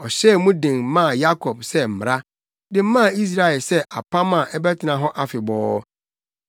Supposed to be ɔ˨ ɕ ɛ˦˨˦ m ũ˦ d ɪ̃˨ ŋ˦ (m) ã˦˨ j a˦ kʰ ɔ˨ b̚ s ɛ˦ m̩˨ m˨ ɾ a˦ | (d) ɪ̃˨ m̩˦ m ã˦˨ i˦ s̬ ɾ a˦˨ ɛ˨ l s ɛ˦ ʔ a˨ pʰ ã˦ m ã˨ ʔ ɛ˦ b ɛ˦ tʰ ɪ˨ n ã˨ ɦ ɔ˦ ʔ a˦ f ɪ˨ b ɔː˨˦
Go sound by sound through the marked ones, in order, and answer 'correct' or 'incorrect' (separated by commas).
correct, correct